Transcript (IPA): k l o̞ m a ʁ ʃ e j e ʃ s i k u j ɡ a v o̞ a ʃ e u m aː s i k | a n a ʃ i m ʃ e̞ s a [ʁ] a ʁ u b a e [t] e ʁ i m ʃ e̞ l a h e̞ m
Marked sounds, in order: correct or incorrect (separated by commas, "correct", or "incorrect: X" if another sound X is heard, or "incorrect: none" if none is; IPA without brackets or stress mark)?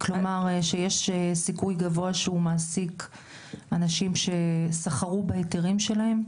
incorrect: χ, correct